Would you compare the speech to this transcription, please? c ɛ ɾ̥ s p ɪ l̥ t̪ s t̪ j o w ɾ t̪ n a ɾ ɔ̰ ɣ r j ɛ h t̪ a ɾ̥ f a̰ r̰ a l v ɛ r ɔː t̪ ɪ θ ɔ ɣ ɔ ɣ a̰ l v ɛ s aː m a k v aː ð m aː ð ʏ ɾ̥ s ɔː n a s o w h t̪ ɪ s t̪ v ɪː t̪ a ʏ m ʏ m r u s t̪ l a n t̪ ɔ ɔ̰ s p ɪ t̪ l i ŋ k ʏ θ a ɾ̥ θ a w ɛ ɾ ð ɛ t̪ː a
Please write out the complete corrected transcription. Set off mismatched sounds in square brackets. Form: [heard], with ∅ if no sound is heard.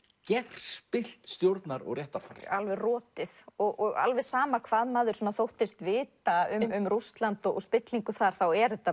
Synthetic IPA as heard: c ɛ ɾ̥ s p ɪ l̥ t̪ s t̪ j o w ɾ t̪ n a ɾ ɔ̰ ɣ r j ɛ h t̪ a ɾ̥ f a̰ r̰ a l v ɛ r ɔː t̪ ɪ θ ɔ ɣ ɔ ɣ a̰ l v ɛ s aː m a [kʰ] v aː ð m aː ð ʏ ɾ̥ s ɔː n a [θ] o w h t̪ ɪ s t̪ v ɪː t̪ a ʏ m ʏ m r u s t̪ l a n t̪ ɔ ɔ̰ s p ɪ t̪ l i ŋ k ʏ θ a ɾ̥ θ a w ɛ ɾ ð ɛ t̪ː a